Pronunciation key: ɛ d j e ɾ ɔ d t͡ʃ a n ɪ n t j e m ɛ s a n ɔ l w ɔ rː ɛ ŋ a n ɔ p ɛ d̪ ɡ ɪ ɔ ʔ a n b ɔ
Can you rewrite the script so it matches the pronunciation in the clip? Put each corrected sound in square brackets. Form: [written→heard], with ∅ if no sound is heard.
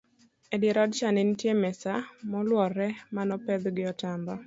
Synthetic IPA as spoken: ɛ d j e ɾ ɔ d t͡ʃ a n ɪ n t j e m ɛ s a [n→m] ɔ l w ɔ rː ɛ [ŋ→m] a n ɔ p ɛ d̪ ɡ ɪ ɔ [ʔ→t] a [n→m] b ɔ